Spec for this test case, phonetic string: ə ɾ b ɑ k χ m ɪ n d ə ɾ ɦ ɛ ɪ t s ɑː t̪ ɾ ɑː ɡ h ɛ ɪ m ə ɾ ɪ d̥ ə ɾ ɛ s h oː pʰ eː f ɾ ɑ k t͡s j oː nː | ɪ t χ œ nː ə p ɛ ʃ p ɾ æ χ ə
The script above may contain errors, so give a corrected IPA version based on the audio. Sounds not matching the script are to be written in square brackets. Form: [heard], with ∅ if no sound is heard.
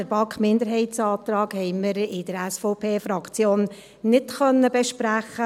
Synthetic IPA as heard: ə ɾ b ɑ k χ m ɪ n d ə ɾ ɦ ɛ ɪ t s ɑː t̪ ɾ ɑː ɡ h ɛ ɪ m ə ɾ ɪ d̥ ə ɾ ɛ s [f] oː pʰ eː f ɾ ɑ k t͡s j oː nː | ɪ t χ œ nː ə [b] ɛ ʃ p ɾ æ χ ə